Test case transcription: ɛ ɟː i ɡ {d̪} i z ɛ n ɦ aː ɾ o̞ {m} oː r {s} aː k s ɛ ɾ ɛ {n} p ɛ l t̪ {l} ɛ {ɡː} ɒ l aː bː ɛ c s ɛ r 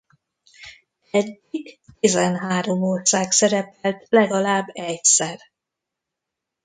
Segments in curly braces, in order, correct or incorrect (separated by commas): incorrect, correct, correct, incorrect, correct, incorrect